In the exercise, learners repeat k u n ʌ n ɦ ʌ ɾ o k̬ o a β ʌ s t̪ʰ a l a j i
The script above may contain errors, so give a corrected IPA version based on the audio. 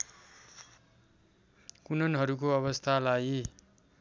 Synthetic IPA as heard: k u n ʌ n ɦ ʌ ɾ u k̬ o ʌ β ʌ s t̪ʰ a l a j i